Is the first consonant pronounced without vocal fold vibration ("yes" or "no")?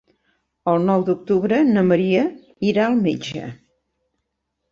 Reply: no